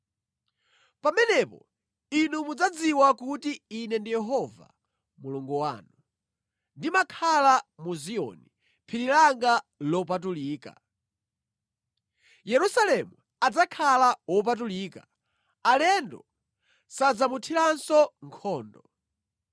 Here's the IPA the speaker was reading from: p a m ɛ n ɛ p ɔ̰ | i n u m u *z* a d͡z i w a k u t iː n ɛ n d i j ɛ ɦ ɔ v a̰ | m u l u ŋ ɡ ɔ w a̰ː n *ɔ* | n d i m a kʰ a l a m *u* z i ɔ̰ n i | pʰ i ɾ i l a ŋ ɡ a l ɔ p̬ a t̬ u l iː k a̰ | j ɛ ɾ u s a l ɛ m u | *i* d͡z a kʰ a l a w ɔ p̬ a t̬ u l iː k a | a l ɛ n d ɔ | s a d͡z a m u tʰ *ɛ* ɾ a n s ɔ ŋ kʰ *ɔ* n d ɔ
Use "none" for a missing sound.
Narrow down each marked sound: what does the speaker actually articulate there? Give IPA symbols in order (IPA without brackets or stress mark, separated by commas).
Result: d͡z, u, u, a, i, ɔː